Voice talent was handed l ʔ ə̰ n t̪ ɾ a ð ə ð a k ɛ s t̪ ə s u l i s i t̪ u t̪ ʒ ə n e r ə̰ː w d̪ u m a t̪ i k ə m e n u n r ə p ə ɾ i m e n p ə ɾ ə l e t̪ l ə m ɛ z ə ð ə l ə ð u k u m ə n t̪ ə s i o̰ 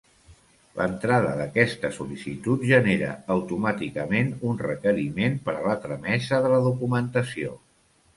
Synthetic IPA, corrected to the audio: l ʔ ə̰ n t̪ ɾ a ð ə ð ə k ɛ s t̪ ə s u l i s i t̪ u t̪ ʒ ə n e ɾ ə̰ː w t̪ u m a t̪ i k ə m e n u n r ə k ə ɾ i m e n p ə ɾ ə l a t̪ ɾ ə m ɛ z ə ð ə l ə ð u k u m ə n t̪ ə s i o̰